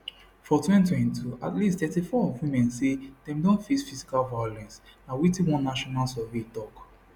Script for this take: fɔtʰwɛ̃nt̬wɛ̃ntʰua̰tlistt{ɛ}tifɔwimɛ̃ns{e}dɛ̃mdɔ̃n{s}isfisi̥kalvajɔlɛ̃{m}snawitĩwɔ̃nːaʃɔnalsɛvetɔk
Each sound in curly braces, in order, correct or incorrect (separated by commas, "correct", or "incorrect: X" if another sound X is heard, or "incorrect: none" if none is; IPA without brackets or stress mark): correct, correct, incorrect: f, incorrect: n